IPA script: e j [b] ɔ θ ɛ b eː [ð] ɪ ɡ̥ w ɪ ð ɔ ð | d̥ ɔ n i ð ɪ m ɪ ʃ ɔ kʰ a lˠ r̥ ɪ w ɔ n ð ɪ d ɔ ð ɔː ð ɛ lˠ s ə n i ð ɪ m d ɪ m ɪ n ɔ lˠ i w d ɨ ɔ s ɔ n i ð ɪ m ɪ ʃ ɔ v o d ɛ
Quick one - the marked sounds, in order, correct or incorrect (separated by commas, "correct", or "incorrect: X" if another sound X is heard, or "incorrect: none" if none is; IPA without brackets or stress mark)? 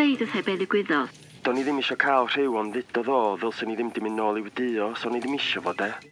incorrect: d, correct